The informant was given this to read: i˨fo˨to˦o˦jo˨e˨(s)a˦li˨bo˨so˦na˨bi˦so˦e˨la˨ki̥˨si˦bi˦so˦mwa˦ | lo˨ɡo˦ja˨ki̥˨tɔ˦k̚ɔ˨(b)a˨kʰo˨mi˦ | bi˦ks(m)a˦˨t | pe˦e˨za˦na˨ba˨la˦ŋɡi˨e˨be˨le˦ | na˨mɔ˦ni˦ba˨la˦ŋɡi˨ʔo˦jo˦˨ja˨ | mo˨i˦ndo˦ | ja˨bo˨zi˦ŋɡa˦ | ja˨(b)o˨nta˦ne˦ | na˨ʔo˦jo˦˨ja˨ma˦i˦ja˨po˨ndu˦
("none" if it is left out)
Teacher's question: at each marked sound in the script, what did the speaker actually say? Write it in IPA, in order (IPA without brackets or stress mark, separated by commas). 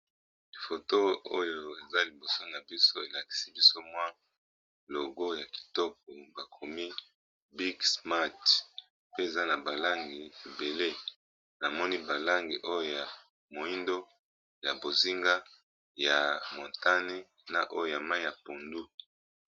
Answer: z, b, m, m